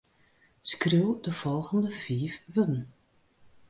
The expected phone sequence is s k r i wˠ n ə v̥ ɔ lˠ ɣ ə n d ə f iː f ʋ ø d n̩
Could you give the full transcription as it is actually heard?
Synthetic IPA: s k r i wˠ d ə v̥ ɔ lˠ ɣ ə n d ə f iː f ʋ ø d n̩